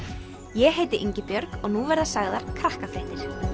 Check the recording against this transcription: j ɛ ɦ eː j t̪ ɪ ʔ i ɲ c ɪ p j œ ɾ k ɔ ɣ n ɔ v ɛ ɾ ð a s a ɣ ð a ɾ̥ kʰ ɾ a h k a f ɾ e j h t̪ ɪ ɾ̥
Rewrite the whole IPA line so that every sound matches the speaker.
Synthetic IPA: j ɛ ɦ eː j t̪ ɪ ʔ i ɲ c ɪ p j œ ɾ k ɔ ɣ n u v ɛ ɾ ð a s a ɣ ð a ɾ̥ kʰ ɾ a h k a f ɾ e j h t̪ ɪ ɾ̥